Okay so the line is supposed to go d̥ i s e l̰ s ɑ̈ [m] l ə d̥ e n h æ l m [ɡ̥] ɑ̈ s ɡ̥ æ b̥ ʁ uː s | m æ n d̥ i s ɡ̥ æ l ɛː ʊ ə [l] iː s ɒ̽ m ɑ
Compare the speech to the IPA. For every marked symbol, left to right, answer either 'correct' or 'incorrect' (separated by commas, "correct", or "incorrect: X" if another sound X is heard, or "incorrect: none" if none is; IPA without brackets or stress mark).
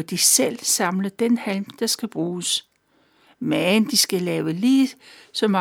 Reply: correct, incorrect: d̥, correct